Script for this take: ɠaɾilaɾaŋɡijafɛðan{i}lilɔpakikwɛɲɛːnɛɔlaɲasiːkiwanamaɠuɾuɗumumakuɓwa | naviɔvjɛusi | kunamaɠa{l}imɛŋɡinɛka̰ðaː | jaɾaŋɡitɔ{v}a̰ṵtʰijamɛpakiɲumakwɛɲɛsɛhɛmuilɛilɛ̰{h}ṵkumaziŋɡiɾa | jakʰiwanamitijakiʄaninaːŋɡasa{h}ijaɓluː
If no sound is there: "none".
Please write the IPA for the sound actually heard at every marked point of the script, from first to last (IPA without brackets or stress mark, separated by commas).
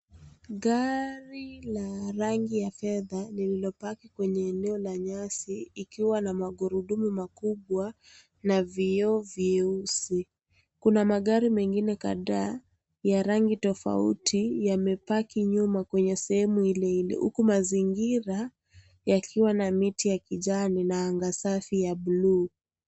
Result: i, ɾ, f, h, f